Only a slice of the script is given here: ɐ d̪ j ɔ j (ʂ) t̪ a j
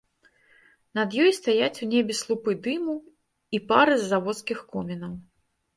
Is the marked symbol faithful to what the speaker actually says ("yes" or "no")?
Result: no